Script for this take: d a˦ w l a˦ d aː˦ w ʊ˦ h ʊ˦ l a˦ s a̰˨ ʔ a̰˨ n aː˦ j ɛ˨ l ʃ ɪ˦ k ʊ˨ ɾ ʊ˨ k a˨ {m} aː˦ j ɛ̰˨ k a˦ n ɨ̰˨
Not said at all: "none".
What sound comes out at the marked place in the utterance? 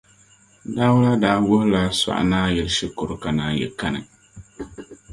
n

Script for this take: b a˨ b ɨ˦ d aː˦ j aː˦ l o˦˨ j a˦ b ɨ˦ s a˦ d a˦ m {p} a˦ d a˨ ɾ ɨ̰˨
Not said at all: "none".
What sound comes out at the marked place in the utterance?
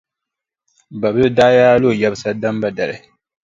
b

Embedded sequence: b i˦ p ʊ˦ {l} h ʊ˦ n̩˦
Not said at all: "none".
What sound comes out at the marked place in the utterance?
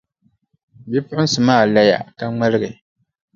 none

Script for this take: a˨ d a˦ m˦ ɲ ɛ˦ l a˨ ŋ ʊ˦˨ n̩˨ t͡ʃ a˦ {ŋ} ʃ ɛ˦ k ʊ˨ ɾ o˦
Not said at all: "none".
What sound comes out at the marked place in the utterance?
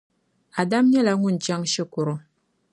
ŋ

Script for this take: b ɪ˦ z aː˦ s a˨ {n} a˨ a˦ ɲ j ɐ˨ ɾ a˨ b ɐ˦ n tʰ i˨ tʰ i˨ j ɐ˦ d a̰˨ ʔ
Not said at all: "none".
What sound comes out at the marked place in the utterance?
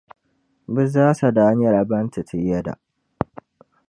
d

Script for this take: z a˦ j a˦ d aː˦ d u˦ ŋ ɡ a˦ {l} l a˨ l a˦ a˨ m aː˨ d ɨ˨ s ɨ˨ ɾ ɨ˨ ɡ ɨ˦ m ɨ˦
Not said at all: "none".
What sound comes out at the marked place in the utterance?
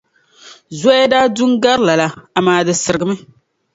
ɾ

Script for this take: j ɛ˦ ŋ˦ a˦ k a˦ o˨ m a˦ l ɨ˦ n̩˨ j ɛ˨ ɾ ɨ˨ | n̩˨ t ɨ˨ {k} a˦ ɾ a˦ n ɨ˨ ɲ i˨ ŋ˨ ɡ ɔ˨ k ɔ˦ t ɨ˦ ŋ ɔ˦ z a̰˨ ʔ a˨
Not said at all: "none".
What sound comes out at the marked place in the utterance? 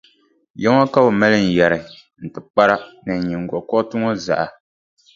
k͡p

